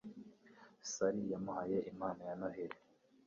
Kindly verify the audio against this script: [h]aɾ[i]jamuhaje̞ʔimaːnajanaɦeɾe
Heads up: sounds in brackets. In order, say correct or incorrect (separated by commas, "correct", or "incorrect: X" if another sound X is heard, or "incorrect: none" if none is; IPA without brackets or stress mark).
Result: incorrect: s, correct